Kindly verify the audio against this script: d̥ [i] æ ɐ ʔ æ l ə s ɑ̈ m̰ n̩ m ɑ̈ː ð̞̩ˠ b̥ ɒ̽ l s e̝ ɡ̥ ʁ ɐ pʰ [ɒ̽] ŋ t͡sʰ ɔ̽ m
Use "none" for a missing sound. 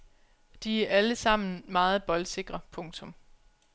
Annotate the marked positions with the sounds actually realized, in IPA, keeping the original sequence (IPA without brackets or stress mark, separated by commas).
i, ɔ̽